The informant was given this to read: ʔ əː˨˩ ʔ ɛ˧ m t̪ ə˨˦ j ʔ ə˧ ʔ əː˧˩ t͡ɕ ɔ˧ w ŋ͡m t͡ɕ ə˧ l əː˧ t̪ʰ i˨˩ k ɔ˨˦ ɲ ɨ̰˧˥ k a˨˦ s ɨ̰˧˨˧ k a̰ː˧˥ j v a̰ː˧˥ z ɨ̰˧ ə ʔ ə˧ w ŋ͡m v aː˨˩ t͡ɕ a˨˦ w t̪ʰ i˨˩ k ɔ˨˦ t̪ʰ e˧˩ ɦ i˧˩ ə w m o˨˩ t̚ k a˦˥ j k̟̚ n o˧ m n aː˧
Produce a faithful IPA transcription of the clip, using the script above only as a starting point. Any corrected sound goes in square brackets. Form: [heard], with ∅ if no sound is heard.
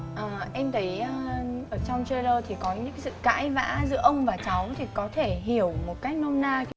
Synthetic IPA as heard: ʔ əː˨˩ ʔ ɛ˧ m t̪ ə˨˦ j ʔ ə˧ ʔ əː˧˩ t͡ɕ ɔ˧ w ŋ͡m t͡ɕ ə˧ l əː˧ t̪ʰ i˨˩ k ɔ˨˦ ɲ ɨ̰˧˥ k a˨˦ s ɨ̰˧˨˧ k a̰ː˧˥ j v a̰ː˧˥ z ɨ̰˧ ə ʔ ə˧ w ŋ͡m v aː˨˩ t͡ɕ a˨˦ w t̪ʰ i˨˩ k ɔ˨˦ t̪ʰ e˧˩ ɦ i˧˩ ə w m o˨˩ t̚ k a˦˥ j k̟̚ n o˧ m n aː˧